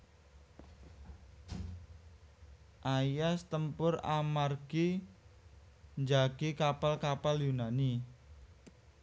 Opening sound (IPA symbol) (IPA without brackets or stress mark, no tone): ʔ